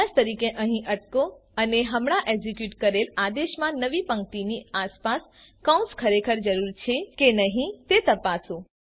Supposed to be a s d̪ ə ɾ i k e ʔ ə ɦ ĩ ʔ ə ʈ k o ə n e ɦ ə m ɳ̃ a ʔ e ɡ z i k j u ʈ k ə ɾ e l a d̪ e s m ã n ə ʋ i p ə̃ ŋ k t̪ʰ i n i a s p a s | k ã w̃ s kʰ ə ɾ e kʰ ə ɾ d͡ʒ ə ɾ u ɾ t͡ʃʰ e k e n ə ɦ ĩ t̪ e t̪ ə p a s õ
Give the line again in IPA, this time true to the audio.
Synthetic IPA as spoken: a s t̪ ə ɾ i k e ʔ ə ɦ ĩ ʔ ə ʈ k o ə n e ɦ ə m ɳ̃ a ʔ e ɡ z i k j u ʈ k ə ɾ e l a d̪ e ʃ m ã n ə ʋ i p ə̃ ŋ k t̪ i n i a s p a s | k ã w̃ s kʰ ə ɾ e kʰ ə ɾ d͡ʒ ə ɾ u ɾ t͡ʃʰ e k e n ə ɦ ĩ t̪ e t̪ ə p a s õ